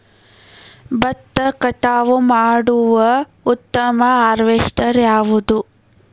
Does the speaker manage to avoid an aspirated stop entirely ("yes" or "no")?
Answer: yes